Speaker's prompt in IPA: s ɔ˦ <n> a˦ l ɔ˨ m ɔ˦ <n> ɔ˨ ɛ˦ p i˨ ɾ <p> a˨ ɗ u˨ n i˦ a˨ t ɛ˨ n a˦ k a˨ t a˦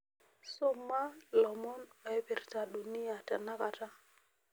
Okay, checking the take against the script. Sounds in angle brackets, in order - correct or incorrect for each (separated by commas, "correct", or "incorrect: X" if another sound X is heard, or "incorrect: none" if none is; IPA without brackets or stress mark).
incorrect: m, correct, incorrect: t